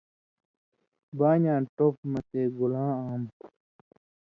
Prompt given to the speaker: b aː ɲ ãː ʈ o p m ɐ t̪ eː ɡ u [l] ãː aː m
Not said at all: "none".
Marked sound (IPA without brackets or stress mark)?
l